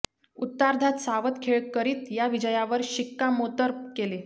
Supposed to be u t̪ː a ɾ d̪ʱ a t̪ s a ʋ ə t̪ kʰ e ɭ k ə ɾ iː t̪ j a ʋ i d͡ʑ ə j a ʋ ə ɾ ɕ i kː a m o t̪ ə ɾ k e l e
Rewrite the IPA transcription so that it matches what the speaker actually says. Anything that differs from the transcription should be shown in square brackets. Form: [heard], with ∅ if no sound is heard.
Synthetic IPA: u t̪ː a ɾ d̪ʱ a t̪ s a ʋ ə t̪ kʰ e ɭ k ə ɾ iː t̪ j a ʋ i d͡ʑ ə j a ʋ ə ɾ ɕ i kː a m o t̪ ə ɾ k e l e